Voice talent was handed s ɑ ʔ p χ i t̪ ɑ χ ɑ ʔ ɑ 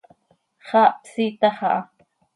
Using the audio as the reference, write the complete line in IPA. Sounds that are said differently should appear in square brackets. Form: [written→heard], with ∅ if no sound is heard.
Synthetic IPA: [s→χ] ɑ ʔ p [χ→s] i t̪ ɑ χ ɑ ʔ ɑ